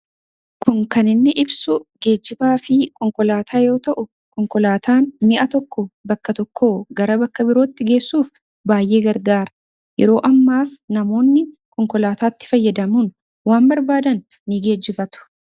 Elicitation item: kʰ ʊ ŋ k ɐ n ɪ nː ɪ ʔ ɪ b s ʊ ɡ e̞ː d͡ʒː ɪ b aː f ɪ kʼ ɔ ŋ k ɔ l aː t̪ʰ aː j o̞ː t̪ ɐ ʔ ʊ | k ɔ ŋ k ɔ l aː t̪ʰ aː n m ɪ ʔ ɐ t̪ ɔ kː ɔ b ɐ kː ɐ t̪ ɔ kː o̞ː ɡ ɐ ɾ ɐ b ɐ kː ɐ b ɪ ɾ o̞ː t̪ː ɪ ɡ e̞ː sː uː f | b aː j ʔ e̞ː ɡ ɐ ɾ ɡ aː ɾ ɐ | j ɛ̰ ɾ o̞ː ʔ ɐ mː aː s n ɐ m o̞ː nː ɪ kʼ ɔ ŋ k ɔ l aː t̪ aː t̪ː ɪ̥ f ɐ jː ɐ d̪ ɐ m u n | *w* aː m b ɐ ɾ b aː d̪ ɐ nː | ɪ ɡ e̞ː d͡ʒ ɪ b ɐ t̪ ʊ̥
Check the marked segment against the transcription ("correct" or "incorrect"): correct